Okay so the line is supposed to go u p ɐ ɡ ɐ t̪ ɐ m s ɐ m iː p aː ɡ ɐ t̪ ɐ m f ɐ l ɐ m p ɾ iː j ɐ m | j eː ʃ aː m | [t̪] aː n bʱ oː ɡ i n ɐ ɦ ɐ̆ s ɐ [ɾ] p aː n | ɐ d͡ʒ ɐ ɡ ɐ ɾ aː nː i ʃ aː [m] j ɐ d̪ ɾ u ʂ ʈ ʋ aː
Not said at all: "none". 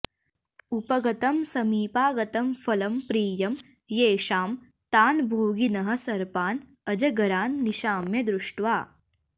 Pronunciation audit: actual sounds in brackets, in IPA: t̪, ɾ, m

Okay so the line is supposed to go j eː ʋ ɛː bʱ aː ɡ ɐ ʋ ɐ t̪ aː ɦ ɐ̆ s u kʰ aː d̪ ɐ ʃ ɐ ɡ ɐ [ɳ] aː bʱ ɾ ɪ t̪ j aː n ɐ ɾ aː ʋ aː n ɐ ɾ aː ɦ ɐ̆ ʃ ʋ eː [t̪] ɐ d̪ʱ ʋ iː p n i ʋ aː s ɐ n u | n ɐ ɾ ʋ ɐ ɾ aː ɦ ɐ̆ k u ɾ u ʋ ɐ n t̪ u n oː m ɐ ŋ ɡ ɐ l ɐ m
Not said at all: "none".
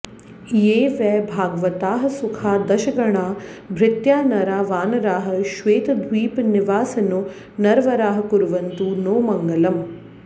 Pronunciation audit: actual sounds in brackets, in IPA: ɳ, t̪

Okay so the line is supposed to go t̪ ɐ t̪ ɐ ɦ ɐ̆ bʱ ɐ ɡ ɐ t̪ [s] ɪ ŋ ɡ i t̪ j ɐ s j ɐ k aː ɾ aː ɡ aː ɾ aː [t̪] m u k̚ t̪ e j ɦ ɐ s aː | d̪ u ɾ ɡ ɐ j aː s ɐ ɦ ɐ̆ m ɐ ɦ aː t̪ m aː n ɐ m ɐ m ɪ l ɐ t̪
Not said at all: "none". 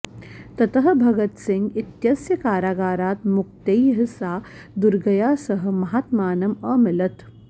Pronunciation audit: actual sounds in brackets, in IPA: s, t̪

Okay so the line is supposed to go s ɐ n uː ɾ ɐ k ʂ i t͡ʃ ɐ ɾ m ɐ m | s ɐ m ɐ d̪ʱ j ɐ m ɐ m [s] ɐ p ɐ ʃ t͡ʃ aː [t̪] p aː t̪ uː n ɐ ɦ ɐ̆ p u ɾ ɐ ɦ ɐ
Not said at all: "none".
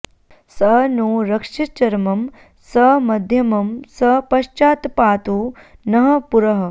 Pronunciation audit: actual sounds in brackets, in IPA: s, t̪

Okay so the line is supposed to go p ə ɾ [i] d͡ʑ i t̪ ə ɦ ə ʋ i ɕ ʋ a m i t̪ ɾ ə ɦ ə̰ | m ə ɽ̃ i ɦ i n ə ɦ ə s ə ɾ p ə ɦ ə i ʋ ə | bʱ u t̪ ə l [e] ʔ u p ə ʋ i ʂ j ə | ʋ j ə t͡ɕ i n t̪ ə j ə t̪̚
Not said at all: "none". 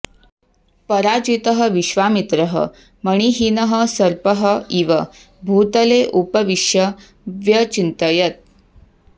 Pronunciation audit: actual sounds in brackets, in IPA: a, e

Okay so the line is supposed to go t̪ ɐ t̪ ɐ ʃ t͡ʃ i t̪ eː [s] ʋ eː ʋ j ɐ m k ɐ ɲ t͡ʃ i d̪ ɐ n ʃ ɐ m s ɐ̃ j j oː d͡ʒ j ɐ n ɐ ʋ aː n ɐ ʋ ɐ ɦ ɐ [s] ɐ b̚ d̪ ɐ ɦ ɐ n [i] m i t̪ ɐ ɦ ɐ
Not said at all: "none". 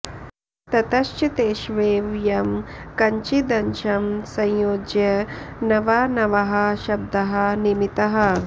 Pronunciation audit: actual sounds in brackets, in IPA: ʃ, ʃ, i

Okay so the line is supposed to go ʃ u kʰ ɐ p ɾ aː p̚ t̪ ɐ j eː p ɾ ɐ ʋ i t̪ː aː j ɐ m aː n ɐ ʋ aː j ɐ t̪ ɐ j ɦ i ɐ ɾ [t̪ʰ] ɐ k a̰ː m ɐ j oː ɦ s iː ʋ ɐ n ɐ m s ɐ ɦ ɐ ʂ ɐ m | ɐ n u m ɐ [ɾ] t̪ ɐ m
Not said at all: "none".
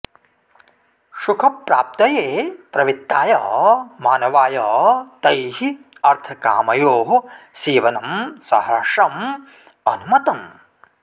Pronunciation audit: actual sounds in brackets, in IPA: t̪ʰ, none

